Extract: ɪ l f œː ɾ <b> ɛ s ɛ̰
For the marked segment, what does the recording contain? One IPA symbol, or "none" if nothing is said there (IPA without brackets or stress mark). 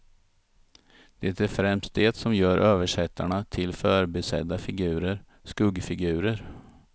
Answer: b